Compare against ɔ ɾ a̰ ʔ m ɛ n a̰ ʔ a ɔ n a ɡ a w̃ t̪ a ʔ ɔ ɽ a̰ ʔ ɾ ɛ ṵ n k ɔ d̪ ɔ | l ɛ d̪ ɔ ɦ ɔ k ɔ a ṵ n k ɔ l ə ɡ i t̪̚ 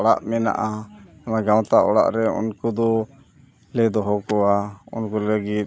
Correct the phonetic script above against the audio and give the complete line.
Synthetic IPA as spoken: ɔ ɽ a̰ ʔ m ɛ n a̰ ʔ a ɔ n a ɡ a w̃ t̪ a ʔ ɔ ɽ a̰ ʔ ɾ ɛ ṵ n k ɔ d̪ ɔ | l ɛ d̪ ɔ ɦ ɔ k ɔ a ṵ n k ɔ l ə ɡ i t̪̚